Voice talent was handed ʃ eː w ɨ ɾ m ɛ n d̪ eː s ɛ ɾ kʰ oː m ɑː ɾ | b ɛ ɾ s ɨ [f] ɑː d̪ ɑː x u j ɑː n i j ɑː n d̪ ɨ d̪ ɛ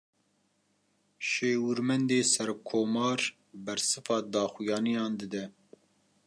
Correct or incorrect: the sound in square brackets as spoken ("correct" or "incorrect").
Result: correct